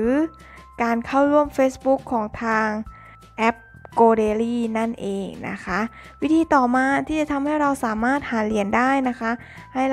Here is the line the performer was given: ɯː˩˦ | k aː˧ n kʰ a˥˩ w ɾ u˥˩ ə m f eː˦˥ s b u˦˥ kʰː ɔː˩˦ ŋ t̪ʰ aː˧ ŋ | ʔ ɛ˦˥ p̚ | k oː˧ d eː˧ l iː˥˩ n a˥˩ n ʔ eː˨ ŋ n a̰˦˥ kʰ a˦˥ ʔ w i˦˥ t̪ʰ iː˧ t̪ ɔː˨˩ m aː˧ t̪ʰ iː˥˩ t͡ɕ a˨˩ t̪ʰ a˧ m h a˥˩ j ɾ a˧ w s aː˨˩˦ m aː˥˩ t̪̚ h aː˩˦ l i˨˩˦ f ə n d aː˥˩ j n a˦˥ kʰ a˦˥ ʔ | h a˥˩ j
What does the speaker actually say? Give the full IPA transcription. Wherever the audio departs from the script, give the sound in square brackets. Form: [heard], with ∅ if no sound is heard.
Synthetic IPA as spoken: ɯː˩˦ | k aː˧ n kʰ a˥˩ w ɾ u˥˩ ə m f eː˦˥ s b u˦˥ kʰː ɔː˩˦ ŋ t̪ʰ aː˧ ŋ | ʔ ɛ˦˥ p̚ | k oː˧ d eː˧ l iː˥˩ n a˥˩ n ʔ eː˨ ŋ n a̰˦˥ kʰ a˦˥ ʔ w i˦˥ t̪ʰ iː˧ t̪ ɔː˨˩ m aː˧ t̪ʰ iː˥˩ t͡ɕ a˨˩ t̪ʰ a˧ m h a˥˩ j ɾ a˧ w s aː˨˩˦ m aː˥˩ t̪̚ h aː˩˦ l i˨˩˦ [∅] ə n d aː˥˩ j n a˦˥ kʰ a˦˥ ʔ | h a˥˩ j